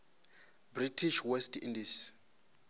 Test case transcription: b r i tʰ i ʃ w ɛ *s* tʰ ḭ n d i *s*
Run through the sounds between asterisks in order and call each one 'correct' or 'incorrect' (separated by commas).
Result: correct, correct